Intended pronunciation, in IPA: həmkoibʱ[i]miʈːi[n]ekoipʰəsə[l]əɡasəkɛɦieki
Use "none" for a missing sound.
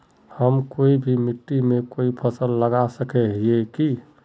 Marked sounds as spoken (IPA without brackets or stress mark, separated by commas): i, m, lː